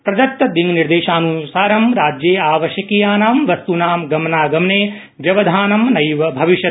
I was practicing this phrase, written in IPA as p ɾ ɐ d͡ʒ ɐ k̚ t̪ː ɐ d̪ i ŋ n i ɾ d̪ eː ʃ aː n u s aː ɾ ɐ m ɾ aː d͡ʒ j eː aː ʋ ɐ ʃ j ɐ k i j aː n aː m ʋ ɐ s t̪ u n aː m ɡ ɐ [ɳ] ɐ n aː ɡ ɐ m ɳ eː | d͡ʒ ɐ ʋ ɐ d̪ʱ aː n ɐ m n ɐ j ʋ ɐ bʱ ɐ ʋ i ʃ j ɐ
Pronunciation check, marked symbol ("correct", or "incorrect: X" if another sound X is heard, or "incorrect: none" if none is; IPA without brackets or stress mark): incorrect: m